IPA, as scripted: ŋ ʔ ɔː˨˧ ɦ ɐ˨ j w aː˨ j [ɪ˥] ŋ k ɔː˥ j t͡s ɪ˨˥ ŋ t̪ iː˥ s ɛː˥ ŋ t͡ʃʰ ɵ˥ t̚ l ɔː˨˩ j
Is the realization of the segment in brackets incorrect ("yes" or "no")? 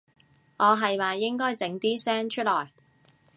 no